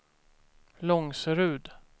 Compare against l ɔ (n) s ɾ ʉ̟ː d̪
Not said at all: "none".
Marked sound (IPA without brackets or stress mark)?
ŋ